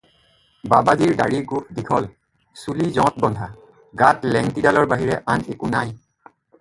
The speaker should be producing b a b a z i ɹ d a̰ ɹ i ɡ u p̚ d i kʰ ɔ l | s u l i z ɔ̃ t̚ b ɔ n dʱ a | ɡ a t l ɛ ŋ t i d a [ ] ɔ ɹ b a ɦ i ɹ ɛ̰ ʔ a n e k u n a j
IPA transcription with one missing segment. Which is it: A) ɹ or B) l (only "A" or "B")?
B